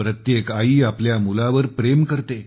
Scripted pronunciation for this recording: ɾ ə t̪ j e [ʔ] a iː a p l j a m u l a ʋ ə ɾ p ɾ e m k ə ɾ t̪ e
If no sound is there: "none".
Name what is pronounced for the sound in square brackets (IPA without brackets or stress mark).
k